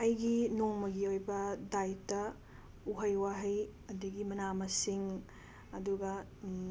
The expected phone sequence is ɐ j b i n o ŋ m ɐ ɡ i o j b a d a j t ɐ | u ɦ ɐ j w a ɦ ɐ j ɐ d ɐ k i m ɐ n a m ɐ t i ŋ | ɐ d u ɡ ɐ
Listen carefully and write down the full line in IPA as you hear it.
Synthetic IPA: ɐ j ɡ i n o ŋ m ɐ ɡ i o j b ɐ d a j t ɐ | u ɦ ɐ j w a ɦ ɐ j ɐ d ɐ ɡ i m ɐ n a m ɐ s i ŋ | ɐ d u ɡ ɐ